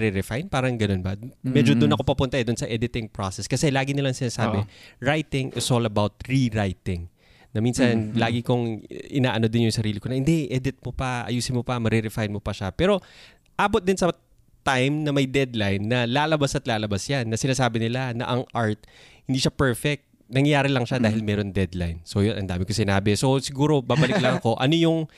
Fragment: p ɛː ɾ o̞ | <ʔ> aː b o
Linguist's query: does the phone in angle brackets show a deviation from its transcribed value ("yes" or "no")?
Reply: no